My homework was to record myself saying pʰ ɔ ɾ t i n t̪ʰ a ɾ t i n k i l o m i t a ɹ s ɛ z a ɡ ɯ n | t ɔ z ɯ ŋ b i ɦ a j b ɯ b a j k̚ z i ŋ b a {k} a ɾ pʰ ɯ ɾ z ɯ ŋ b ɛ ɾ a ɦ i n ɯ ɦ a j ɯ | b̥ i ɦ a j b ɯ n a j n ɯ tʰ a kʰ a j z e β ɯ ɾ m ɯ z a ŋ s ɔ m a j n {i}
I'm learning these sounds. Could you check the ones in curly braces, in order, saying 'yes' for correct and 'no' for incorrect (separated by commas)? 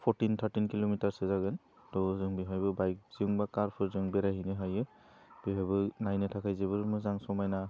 yes, no